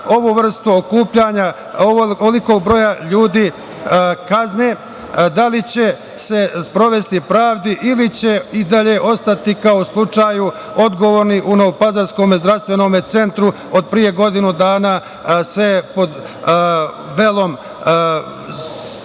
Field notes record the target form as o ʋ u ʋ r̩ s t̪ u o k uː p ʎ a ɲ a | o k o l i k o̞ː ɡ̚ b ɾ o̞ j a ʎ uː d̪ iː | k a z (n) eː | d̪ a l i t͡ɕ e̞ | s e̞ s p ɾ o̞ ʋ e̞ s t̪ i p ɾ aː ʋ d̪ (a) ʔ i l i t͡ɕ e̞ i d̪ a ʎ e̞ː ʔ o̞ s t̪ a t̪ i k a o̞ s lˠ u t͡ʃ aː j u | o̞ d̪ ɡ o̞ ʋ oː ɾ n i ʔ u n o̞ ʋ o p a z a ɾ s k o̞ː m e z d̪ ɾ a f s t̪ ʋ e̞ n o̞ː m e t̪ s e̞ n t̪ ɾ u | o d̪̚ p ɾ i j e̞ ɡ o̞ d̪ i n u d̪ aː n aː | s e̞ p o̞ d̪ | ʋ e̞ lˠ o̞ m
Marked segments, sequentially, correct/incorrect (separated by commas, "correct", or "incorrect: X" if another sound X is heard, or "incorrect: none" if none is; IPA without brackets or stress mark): correct, incorrect: i